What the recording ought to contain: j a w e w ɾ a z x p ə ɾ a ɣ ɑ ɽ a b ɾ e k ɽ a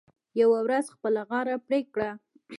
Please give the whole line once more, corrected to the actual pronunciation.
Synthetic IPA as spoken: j a w a w ɾ a z x p ə l a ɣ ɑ ɾ a p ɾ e k ɽ a